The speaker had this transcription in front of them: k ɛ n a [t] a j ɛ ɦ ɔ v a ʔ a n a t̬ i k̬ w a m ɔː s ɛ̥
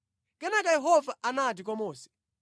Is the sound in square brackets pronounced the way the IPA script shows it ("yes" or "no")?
no